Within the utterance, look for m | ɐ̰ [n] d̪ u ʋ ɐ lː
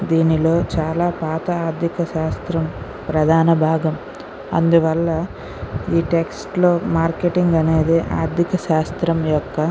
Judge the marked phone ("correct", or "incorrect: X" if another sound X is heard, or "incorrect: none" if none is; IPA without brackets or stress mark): correct